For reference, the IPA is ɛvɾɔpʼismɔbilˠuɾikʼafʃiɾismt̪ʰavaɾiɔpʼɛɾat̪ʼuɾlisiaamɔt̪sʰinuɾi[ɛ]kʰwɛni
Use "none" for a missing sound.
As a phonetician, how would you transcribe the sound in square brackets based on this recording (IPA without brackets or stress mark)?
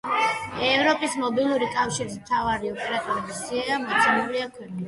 a